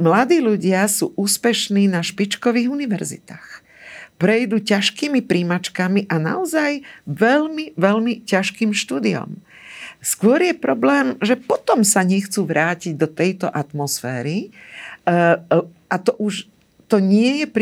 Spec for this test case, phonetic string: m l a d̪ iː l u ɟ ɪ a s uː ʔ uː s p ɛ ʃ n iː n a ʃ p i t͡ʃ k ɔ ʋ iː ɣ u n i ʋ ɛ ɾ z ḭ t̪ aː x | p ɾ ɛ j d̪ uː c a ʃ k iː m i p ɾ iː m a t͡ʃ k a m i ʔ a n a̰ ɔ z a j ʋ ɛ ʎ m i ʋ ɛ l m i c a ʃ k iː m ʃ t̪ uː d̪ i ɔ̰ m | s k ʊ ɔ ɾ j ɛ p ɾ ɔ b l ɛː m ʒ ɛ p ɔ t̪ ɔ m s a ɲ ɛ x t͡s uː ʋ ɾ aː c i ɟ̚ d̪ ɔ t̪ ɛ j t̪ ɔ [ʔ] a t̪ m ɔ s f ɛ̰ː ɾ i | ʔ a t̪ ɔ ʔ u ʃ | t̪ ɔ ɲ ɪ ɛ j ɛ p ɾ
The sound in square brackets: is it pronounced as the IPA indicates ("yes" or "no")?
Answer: yes